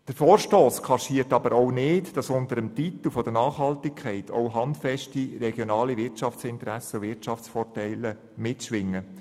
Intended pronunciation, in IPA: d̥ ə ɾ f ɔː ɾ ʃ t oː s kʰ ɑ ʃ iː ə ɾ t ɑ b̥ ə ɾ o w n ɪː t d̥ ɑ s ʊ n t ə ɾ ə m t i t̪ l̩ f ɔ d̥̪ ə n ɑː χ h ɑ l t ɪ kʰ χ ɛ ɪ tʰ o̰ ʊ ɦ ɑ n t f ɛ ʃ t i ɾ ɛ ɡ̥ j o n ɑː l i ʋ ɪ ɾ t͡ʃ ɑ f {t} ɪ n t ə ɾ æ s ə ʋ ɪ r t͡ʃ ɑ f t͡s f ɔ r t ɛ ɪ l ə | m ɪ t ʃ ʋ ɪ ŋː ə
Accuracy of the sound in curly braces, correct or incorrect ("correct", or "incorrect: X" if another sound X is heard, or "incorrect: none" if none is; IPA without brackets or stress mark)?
incorrect: t͡s